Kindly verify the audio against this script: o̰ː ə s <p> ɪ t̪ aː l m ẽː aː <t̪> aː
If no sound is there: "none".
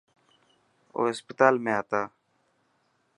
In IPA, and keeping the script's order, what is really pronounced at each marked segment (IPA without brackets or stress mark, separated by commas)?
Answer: p, t̪